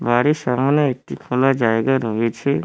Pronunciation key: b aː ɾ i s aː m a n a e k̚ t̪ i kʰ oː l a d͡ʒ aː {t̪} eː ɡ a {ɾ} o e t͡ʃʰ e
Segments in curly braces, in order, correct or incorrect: incorrect, correct

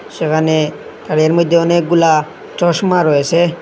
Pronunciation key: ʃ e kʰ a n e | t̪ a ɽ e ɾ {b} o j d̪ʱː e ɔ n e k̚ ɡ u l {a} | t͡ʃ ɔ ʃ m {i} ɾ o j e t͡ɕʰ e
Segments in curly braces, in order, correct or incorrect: incorrect, correct, incorrect

